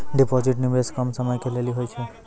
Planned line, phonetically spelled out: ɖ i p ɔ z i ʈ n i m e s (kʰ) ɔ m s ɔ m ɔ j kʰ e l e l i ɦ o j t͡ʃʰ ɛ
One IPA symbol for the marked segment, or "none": k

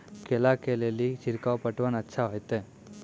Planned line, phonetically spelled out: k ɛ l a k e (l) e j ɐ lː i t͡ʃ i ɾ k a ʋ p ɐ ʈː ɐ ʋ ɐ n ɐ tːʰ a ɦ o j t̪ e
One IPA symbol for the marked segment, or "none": l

